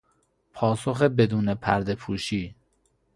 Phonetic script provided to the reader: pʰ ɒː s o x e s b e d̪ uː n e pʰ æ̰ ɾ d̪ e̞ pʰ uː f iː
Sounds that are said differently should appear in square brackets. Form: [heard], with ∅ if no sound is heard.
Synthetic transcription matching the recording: pʰ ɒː s o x e [∅] b e d̪ uː n e pʰ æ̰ ɾ d̪ e̞ pʰ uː [ʃ] iː